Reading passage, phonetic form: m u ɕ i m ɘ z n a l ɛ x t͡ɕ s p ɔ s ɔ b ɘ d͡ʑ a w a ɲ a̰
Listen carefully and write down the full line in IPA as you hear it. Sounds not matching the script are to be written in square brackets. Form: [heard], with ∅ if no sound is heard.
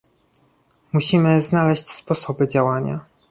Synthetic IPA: m u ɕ i m ɘ z n a l ɛ [ɕ] t͡ɕ s p ɔ s ɔ b ɘ d͡ʑ a w a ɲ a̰